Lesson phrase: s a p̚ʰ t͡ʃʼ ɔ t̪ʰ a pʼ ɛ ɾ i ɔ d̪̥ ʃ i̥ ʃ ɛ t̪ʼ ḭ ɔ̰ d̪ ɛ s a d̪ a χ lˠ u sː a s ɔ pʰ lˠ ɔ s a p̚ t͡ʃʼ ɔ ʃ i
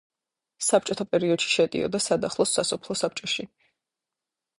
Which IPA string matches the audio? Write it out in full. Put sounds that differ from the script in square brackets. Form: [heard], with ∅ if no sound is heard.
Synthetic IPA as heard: s a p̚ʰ t͡ʃʼ ɔ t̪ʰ a pʼ ɛ ɾ i ɔ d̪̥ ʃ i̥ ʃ ɛ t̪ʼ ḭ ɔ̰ d̪ [a] s a d̪ a χ lˠ [ɔ] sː a s ɔ pʰ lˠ ɔ s a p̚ t͡ʃʼ ɔ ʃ i